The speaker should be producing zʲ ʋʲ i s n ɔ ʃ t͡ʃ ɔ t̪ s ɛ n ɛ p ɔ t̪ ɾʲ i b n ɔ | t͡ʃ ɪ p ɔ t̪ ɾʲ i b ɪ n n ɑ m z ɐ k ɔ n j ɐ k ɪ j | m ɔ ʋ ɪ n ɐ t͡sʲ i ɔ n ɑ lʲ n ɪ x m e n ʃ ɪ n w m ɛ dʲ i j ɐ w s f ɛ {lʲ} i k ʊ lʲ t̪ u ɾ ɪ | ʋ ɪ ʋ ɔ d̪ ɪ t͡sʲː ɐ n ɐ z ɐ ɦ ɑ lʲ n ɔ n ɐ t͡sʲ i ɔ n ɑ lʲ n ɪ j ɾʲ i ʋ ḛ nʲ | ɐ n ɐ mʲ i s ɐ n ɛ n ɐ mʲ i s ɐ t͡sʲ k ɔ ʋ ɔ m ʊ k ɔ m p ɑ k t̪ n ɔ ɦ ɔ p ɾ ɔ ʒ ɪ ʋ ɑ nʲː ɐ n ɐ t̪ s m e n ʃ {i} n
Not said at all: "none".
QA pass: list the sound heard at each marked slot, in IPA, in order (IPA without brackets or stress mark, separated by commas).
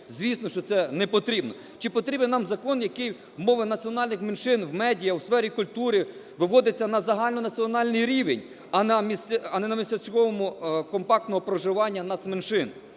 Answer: ɾʲ, ɪ